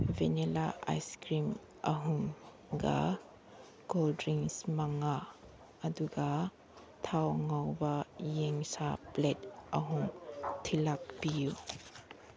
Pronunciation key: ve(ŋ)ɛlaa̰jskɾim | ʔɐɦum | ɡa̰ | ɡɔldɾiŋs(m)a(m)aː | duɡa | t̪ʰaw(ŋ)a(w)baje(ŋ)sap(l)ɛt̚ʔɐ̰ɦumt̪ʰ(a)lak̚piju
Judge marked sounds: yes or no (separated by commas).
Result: no, yes, no, yes, yes, yes, yes, no